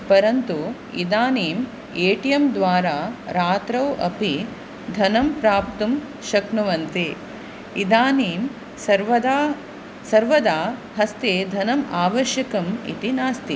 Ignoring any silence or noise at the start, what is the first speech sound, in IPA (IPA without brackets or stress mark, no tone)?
p